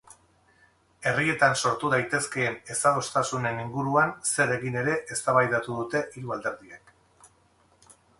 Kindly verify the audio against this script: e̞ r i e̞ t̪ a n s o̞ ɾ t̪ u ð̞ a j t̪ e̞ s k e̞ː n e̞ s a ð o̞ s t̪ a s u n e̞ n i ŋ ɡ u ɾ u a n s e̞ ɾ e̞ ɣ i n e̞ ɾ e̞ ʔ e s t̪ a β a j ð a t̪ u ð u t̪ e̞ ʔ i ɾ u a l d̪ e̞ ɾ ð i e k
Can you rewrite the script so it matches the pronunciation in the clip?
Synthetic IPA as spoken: e̞ r i e̞ t̪ a n s o̞ ɾ t̪ u ð̞ a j t̪ e̞ s k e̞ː n e̞ s a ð o̞ s t̪ a s u n e̞ n i ŋ ɡ u ɾ u a n s e̞ ɾ e̞ ɣ i n e̞ ɾ e̞ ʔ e s t̪ a β a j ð a t̪ u ð u t̪ e̞ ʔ i ɾ u a l d̪ e̞ ɾ ð i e k